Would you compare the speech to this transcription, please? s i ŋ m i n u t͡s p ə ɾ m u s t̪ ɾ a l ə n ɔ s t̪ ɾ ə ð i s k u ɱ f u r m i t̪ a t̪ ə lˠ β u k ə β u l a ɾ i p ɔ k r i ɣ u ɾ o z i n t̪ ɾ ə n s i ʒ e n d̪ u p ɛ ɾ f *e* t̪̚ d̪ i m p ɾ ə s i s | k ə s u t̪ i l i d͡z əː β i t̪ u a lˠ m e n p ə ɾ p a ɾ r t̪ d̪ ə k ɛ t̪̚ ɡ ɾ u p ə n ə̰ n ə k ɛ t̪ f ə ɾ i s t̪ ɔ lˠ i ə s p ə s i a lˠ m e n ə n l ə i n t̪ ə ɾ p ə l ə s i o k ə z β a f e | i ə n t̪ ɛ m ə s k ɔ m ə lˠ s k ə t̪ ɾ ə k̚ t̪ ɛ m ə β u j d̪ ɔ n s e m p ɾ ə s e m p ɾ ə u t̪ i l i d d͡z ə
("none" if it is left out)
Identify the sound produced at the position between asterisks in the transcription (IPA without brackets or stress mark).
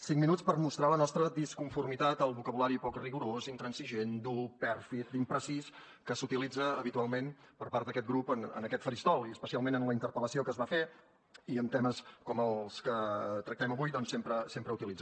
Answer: i